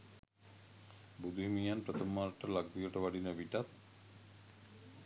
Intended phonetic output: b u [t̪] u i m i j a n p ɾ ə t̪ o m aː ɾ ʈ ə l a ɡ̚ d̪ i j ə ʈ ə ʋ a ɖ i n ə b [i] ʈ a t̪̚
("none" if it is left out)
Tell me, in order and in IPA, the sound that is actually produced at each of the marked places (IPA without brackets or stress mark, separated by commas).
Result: d̪, i